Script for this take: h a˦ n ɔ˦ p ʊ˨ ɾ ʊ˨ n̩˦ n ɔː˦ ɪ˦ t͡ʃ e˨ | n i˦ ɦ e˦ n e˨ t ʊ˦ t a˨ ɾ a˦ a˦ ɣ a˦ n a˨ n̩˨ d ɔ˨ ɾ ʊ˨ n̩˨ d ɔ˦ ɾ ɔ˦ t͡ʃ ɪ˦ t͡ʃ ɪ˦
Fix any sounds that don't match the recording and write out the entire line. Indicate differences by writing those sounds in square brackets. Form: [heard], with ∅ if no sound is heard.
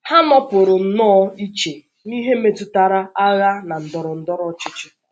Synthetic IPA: h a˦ n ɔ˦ p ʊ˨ ɾ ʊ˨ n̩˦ n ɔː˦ [i˦] t͡ʃ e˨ | n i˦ ɦ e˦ [m] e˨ t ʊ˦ t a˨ ɾ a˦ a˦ ɣ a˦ n a˨ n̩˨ d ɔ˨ ɾ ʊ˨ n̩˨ d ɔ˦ ɾ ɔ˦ t͡ʃ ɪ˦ t͡ʃ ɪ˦